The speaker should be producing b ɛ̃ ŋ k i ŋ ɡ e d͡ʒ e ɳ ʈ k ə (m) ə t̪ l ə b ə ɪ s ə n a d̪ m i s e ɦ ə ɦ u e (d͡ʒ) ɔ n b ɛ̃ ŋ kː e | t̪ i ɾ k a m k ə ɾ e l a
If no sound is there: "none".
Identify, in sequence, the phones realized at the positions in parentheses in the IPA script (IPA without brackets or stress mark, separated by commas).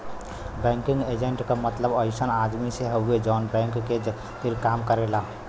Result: m, d͡ʒ